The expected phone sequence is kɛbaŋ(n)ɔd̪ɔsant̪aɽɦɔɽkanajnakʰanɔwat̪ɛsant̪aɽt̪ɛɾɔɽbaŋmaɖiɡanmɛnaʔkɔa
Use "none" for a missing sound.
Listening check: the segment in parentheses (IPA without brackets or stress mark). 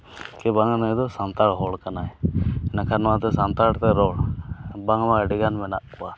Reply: n